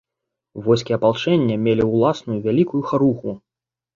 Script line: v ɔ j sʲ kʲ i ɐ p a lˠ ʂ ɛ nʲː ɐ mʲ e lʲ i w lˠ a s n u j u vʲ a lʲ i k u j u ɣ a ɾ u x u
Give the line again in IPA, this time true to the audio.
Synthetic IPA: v ɔ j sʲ kʲ i ɐ p a lˠ t͡ʂ ɛ nʲː ɐ mʲ e lʲ i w lˠ a s n u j u vʲ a lʲ i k u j u x a ɾ u x u